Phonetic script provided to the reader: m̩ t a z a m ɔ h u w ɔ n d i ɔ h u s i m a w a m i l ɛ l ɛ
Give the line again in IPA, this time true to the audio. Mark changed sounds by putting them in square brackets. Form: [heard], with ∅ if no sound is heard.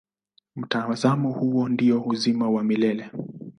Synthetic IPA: m̩ t a z a m ɔ h u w ɔ n d i ɔ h u [z] i m a w a m i l ɛ l ɛ